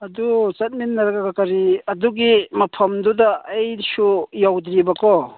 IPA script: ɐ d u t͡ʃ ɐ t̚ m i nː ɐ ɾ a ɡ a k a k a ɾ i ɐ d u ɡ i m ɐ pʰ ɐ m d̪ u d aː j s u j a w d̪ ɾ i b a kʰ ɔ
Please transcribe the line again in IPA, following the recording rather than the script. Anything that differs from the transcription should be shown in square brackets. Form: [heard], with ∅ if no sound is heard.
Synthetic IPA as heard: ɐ d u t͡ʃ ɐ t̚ m i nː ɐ ɾ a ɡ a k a k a ɾ i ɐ d u ɡ i m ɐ pʰ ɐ m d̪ u d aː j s u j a w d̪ ɾ i b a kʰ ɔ